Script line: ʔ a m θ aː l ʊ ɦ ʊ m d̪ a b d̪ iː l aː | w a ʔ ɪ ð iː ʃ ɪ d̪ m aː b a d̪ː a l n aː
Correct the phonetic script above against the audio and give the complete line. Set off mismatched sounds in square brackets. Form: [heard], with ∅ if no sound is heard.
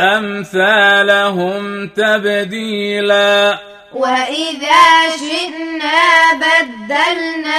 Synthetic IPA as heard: ʔ a m θ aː l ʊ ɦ ʊ m [t̪] a b d̪ iː l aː | w a ʔ ɪ ð [aː] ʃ ɪ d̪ [n] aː b a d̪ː a l n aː